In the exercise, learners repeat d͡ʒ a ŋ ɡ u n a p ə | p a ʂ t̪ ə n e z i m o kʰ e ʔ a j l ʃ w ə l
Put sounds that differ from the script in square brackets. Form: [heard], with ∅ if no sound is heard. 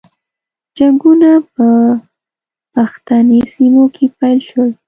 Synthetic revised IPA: d͡ʒ a ŋ ɡ u n a p ə | p a [x] t̪ [a] n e [s] i m o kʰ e [p] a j l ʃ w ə l